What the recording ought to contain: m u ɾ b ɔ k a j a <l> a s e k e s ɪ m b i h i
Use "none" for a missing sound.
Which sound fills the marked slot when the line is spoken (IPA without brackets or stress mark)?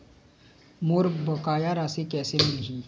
ɾ